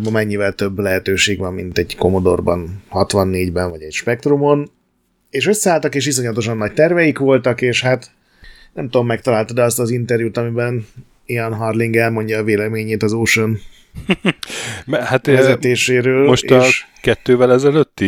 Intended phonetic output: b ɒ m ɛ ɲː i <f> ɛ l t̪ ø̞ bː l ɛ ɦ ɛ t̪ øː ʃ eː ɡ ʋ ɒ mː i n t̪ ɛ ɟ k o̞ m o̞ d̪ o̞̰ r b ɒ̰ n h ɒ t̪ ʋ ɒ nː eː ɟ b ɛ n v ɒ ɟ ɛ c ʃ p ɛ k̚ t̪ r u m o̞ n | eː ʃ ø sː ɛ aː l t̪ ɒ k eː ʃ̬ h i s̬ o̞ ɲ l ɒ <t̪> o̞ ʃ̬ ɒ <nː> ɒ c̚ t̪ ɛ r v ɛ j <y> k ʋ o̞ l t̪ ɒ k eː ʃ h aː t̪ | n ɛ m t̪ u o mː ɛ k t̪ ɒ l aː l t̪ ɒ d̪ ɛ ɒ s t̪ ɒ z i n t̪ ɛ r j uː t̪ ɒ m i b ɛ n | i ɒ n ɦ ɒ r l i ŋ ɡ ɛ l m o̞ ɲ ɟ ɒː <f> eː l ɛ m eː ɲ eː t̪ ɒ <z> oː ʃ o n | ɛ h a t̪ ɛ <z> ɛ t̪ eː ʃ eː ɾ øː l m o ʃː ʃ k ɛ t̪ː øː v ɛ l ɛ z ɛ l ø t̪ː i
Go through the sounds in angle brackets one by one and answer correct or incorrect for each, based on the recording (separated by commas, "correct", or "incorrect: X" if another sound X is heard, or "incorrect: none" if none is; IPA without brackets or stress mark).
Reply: incorrect: v, correct, correct, incorrect: i, incorrect: v, correct, correct